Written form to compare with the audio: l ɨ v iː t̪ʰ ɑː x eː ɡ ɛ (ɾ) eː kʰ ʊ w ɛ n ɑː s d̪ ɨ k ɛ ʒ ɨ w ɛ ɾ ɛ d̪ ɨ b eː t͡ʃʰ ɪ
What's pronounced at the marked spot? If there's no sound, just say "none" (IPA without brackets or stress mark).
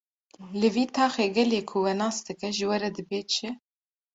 l